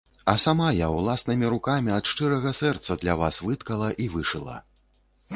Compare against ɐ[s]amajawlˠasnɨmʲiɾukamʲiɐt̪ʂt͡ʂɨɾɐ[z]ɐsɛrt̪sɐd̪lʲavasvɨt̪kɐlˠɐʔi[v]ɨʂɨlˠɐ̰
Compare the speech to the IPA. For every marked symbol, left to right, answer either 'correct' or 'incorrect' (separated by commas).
correct, incorrect, correct